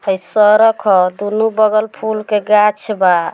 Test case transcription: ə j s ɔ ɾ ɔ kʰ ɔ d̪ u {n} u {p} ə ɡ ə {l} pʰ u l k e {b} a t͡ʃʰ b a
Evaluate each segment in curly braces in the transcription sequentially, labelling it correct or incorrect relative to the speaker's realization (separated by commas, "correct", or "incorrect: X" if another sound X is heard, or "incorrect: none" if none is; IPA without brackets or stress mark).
correct, incorrect: b, correct, incorrect: ɡ